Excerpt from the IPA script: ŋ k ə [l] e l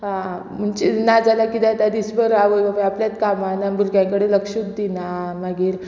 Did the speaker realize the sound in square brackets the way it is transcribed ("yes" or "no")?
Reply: no